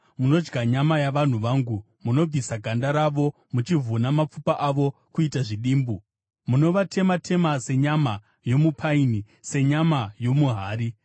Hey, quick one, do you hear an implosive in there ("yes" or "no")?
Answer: yes